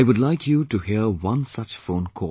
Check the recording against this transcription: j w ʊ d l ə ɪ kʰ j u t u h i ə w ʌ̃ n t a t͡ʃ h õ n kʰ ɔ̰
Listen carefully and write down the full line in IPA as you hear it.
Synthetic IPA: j w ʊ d l a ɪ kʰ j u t u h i ə w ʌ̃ n s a t͡ʃ f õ n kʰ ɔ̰